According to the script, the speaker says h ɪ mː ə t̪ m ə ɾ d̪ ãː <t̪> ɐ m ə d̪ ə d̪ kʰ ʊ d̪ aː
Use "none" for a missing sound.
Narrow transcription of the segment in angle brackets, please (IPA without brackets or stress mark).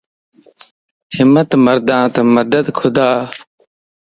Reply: t̪